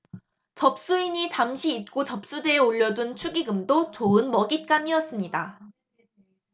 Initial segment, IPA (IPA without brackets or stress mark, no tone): t͡ɕ